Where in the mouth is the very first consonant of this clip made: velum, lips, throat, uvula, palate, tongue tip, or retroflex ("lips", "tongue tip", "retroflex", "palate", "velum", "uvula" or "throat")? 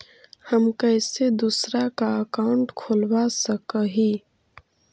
throat